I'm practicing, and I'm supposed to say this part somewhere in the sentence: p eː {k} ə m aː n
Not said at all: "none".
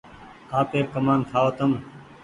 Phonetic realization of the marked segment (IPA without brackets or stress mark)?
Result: k